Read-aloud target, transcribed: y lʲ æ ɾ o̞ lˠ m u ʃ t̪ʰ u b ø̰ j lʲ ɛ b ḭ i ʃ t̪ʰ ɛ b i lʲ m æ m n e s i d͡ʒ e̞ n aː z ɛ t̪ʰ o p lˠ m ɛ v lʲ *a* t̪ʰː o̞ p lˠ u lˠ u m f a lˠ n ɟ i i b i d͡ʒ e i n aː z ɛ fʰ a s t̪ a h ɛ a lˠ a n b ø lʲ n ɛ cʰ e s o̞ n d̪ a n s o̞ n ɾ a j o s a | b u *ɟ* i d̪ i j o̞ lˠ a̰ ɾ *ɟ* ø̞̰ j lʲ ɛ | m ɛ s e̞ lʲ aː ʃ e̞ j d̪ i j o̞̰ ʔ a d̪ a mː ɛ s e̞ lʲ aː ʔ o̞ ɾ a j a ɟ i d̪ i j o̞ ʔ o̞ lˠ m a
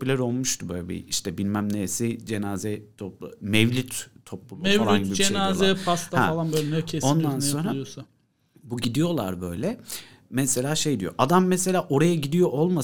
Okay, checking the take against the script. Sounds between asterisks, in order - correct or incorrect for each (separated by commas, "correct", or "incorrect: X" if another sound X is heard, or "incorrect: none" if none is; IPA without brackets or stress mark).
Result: incorrect: i, correct, incorrect: b